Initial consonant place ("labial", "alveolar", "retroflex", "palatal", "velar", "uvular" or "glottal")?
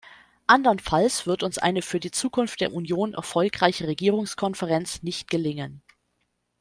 glottal